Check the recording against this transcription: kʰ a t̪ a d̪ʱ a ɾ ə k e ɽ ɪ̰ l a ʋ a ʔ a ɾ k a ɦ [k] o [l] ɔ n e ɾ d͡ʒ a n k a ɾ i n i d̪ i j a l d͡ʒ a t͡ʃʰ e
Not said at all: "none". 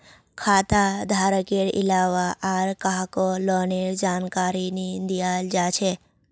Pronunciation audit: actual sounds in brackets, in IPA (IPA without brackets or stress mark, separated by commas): k, l